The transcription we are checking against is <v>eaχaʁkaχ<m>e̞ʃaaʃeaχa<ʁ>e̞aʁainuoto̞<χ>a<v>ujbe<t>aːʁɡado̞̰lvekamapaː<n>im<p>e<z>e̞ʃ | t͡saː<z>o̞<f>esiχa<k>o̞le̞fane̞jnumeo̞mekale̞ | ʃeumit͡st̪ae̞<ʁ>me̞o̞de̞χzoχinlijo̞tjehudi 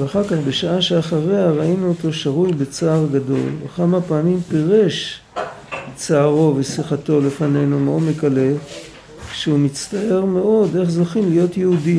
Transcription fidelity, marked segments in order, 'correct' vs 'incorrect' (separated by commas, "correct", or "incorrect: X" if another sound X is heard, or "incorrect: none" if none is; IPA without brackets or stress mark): correct, incorrect: b, correct, incorrect: ʃ, incorrect: ʁ, incorrect: t͡s, incorrect: m, correct, incorrect: ʁ, incorrect: ʁ, incorrect: v, incorrect: t, correct